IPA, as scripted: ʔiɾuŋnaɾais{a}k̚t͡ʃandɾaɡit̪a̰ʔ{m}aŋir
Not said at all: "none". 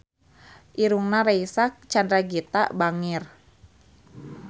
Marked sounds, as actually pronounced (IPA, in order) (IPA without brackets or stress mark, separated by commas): a, b